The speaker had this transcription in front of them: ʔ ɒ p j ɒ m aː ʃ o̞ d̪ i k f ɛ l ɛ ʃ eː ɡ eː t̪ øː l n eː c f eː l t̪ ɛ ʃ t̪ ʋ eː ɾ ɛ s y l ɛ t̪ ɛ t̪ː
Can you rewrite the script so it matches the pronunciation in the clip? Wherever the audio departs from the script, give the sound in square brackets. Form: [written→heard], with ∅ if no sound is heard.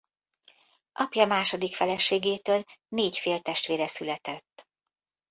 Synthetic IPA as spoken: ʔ ɒ p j ɒ m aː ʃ o̞ d̪ i k f ɛ l ɛ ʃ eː ɡ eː t̪ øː l n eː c f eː l t̪ ɛ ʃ t̪ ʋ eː ɾ ɛ s y l ɛ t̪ ɛ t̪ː